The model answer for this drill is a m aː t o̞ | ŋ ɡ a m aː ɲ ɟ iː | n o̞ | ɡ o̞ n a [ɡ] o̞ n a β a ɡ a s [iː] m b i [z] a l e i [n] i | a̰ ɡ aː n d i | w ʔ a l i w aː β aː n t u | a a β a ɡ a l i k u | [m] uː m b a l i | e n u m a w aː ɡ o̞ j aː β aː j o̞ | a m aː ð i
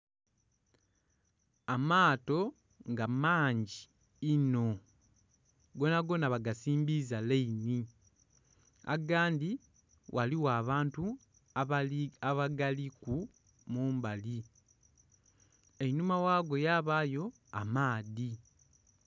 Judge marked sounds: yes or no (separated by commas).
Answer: yes, yes, yes, yes, yes